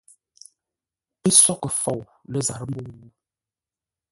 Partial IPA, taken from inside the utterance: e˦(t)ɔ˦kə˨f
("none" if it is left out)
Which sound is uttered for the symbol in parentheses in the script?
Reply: s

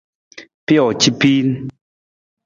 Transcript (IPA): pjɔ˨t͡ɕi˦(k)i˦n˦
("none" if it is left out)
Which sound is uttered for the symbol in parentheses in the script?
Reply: p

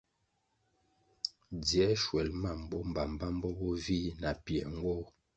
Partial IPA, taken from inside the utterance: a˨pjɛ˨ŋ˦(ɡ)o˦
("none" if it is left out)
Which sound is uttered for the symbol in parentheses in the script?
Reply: ɡ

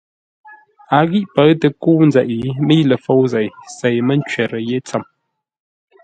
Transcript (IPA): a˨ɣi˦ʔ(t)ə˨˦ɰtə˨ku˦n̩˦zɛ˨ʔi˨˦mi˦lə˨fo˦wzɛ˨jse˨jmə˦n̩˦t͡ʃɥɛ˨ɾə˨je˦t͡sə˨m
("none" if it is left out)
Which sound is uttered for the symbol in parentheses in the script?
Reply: p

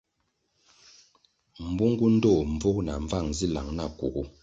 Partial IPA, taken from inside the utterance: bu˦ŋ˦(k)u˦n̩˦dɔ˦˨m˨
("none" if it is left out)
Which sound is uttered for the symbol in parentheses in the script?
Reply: ɡ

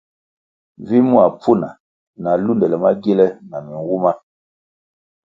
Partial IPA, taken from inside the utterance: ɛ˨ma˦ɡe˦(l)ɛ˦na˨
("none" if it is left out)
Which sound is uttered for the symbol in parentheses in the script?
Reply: l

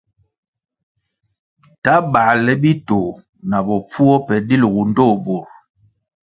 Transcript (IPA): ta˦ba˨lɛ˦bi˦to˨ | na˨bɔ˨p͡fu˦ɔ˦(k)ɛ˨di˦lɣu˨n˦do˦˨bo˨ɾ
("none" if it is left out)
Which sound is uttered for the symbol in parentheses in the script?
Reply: p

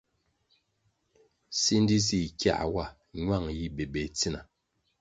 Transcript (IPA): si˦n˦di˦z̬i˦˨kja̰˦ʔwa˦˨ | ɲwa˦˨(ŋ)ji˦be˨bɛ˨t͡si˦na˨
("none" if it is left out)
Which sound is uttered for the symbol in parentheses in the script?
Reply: ŋ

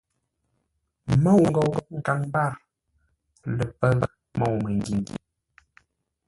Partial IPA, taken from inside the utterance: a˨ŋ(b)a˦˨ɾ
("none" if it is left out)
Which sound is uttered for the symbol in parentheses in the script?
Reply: b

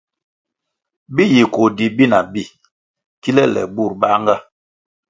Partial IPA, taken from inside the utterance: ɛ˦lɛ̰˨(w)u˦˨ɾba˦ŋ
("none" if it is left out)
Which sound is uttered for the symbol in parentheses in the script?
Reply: b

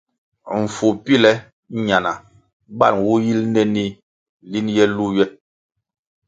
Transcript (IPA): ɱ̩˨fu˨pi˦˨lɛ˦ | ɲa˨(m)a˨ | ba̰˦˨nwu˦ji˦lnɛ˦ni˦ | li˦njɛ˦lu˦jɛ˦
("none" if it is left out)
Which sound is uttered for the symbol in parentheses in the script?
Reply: n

